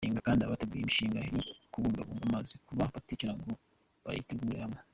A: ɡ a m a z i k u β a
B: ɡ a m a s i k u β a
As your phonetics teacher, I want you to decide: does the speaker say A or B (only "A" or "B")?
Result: A